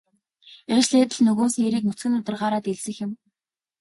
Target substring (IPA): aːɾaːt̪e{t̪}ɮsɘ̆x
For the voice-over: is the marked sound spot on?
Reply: no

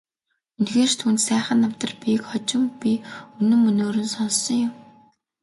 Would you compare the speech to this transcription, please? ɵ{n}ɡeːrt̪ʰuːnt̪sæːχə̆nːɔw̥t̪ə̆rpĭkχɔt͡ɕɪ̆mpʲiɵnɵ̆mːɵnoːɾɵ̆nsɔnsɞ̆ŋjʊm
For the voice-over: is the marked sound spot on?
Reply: yes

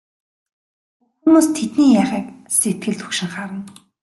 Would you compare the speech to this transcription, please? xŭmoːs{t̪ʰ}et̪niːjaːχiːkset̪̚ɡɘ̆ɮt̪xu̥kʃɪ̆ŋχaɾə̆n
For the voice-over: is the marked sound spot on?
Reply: yes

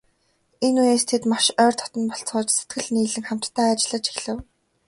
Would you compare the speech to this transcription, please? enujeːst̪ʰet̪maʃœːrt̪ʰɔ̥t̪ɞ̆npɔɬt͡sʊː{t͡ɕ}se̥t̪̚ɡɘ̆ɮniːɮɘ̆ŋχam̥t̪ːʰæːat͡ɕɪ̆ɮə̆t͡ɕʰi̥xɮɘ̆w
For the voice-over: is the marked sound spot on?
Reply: yes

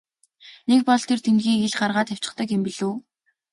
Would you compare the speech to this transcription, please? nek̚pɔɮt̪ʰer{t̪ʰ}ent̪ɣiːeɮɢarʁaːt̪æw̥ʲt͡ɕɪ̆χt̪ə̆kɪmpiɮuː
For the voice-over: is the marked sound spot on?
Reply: yes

